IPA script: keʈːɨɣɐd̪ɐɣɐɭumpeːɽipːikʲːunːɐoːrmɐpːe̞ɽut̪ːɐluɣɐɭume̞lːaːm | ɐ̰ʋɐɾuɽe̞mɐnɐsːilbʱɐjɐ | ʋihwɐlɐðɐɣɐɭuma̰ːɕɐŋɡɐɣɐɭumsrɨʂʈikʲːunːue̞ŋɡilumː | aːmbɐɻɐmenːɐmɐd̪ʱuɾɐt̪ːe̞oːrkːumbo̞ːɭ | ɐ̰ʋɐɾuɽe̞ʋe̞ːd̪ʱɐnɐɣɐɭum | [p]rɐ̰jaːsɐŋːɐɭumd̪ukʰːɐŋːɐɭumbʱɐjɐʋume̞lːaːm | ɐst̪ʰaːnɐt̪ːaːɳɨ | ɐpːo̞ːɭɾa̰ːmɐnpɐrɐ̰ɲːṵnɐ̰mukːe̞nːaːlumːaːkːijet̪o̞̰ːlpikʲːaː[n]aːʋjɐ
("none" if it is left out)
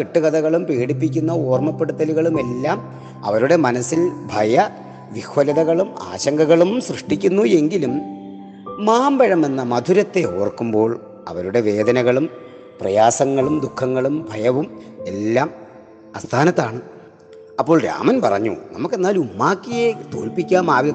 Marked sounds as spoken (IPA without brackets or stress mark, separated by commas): p, m